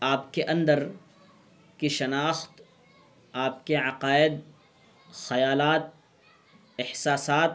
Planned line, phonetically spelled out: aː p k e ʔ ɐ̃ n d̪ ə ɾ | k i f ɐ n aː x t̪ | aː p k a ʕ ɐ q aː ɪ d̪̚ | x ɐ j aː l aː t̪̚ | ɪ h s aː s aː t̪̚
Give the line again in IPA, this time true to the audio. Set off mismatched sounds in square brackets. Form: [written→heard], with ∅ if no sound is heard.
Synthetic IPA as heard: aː p k e ʔ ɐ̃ n d̪ ə ɾ | k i [f→ʃ] ɐ n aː x t̪ | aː p k [a→e] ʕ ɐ q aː ɪ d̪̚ | x ɐ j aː l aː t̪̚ | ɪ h s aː s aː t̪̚